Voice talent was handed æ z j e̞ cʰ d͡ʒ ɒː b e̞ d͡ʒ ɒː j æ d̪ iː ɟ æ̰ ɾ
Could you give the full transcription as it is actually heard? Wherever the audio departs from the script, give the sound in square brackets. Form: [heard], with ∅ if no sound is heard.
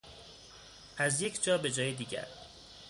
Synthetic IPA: æ z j e̞ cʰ d͡ʒ ɒː b e̞ d͡ʒ ɒː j [e] d̪ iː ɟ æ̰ ɾ